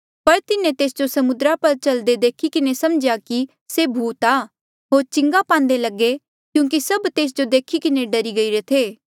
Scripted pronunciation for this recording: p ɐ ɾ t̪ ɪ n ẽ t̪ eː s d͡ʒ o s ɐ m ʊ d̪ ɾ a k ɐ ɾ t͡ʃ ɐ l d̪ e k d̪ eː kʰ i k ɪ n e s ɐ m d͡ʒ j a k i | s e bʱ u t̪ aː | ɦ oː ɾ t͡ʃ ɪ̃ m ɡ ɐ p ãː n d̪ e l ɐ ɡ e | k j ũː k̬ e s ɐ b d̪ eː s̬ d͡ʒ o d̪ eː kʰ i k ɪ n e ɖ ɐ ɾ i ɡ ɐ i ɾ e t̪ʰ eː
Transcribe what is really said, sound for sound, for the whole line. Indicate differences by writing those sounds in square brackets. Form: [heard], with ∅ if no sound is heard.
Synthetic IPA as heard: p ɐ ɾ t̪ ɪ n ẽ t̪ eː s d͡ʒ o s ɐ m ʊ d̪ ɾ a [p] ɐ ɾ t͡ʃ ɐ l d̪ e [∅] d̪ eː kʰ i k ɪ n e s ɐ m d͡ʒ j a k i | s e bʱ [uː] t̪ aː | ɦ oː ɾ t͡ʃ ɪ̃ [ŋ] ɡ [a] p ãː n d̪ e l ɐ ɡ e | k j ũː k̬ [i] s ɐ b [t̪] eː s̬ d͡ʒ o d̪ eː kʰ i k ɪ n e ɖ ɐ ɾ i ɡ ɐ i ɾ e t̪ʰ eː